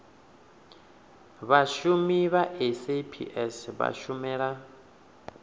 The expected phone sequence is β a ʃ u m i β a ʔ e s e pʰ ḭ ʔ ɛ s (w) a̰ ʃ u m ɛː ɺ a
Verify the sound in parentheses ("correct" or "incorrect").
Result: incorrect